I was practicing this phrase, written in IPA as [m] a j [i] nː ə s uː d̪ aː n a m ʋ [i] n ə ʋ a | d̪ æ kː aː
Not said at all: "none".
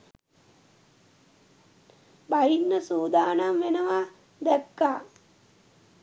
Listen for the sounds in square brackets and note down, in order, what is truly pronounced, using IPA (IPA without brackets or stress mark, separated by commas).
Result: b, i, e